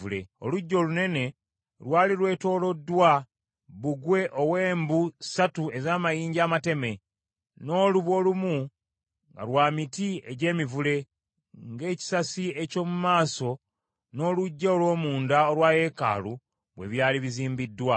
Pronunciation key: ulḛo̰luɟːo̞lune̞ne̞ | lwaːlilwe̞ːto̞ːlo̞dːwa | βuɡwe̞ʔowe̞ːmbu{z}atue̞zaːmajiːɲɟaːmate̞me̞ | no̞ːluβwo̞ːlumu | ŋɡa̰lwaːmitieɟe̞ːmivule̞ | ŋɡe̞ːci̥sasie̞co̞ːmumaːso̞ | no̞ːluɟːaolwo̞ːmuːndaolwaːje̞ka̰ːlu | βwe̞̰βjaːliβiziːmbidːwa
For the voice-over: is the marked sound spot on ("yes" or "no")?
no